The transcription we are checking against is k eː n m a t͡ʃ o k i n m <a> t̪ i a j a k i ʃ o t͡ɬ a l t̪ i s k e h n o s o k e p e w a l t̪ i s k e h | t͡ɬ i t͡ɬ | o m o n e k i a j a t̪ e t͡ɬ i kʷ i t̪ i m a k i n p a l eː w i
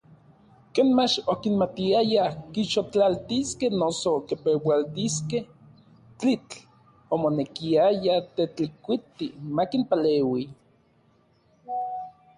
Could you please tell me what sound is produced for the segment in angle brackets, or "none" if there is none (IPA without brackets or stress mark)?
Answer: a